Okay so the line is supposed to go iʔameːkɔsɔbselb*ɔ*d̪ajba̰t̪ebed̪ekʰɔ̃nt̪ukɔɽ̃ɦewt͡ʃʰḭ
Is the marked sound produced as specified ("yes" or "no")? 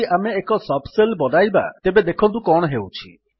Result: yes